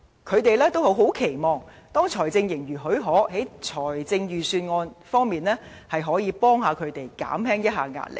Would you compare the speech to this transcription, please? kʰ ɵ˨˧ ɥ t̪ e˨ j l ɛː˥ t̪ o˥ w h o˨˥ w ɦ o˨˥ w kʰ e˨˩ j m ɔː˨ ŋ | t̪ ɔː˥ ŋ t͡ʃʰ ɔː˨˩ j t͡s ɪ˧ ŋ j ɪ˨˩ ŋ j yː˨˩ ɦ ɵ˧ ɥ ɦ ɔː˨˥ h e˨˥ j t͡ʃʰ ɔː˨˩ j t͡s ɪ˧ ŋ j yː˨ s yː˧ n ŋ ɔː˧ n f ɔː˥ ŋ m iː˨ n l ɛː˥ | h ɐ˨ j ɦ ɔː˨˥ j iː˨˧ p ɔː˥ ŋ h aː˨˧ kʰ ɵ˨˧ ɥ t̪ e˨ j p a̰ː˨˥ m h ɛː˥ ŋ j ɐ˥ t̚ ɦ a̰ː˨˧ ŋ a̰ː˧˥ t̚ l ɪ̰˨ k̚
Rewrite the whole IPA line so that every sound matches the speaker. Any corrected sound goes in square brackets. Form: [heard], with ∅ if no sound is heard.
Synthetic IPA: kʰ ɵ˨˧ ɥ t̪ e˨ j l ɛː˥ t̪ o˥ w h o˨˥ w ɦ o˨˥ w kʰ e˨˩ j m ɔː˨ ŋ | t̪ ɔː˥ ŋ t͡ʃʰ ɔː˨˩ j t͡s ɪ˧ ŋ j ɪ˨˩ ŋ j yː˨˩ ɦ [ɵ˨˥] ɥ ɦ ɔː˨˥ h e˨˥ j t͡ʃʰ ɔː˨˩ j t͡s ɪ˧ ŋ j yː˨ s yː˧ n ŋ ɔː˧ n f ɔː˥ ŋ m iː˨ n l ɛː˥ | h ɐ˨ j ɦ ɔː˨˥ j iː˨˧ p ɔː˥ ŋ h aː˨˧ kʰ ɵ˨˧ ɥ t̪ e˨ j [k] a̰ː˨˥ m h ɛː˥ ŋ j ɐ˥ t̚ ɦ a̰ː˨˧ ŋ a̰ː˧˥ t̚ l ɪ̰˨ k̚

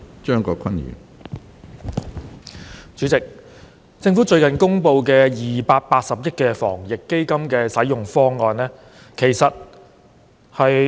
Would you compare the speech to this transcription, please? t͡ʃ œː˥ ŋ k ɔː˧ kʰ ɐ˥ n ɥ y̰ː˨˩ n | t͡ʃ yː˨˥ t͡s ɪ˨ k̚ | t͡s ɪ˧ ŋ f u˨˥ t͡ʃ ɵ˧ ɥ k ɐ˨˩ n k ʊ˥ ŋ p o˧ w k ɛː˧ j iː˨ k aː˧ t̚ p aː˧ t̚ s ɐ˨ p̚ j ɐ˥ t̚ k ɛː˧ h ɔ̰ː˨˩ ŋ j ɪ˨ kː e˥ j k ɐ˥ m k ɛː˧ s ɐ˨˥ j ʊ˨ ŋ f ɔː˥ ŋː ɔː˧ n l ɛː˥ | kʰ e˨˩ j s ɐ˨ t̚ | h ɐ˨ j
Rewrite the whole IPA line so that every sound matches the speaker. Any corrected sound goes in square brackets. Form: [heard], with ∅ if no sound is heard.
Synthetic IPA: t͡ʃ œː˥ ŋ k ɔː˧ kʰ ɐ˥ n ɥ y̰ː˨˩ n | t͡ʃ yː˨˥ t͡s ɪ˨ k̚ | t͡s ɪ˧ ŋ f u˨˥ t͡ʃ ɵ˧ ɥ k ɐ˨˩ n k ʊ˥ ŋ p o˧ w k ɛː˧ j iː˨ [p] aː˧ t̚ p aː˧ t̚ s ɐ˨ p̚ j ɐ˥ t̚ k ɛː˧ [f] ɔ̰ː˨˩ ŋ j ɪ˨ kː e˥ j k ɐ˥ m k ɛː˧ s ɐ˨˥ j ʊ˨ ŋ f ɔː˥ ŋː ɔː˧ n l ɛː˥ | kʰ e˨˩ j s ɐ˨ t̚ | h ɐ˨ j

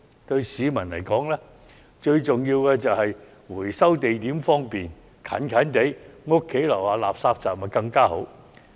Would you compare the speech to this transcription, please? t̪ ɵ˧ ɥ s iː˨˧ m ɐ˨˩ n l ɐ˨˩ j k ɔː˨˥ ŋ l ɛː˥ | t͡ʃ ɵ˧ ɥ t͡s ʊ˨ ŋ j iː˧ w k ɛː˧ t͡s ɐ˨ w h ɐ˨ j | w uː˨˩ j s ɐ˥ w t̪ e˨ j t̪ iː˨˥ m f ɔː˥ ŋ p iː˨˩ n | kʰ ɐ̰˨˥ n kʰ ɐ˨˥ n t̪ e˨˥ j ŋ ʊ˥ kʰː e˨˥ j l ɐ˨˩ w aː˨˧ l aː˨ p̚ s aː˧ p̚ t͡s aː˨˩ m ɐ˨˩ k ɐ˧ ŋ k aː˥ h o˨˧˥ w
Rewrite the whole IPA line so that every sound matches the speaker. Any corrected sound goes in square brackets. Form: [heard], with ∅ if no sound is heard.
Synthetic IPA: t̪ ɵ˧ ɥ s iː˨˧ m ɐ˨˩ n l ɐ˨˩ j k ɔː˨˥ ŋ l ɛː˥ | t͡ʃ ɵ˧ ɥ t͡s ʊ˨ ŋ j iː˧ w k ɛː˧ t͡s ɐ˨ w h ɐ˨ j | w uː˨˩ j s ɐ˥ w t̪ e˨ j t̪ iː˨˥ m f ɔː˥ ŋ p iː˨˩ n | kʰ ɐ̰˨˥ n kʰ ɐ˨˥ n t̪ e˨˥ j ŋ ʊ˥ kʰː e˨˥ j l ɐ˨˩ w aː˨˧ l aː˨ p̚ s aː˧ p̚ t͡s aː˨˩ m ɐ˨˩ k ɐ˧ ŋ k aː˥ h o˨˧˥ w

